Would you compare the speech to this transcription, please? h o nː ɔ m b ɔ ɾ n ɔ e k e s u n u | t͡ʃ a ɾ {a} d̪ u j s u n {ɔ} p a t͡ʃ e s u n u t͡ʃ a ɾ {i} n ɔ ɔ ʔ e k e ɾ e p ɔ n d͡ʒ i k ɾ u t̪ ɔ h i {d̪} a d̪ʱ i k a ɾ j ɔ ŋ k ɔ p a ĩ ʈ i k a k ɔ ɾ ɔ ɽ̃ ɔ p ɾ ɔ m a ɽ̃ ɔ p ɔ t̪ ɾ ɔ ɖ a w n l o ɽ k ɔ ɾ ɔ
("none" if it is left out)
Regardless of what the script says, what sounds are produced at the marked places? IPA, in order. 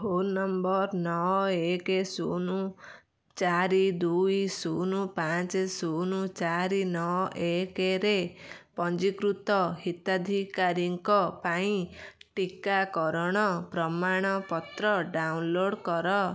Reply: i, u, i, t̪

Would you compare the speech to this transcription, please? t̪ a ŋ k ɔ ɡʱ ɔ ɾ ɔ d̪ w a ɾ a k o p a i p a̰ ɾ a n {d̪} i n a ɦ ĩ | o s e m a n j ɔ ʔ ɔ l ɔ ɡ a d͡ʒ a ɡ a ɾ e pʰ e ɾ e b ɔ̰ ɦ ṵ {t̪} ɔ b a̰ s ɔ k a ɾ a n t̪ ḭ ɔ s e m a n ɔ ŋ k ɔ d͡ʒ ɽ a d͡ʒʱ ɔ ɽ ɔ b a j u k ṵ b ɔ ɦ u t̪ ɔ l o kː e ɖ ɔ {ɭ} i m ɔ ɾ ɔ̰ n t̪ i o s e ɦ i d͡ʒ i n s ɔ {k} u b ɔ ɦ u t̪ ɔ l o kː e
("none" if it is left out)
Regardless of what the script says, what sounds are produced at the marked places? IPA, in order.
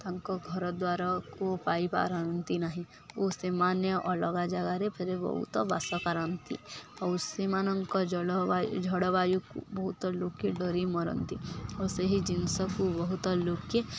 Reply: t̪, t̪, ɾ, k

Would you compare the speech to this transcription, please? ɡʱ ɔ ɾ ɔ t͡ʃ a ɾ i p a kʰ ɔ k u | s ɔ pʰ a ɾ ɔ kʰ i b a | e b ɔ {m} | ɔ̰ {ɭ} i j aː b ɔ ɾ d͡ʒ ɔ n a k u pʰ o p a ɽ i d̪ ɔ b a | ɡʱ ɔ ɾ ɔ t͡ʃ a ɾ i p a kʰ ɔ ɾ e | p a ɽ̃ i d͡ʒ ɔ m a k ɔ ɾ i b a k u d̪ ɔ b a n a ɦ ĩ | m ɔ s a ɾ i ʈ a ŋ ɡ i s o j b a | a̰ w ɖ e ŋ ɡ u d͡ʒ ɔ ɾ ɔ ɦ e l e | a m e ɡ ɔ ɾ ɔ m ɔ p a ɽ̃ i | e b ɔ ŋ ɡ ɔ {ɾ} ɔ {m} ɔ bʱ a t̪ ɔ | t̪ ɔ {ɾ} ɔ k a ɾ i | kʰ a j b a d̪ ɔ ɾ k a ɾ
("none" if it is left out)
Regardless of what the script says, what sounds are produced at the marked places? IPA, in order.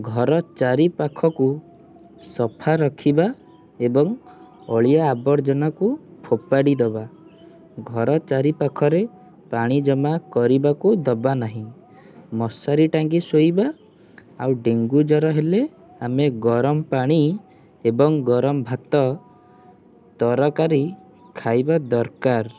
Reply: ŋ, ɭ, ɾ, m, ɾ

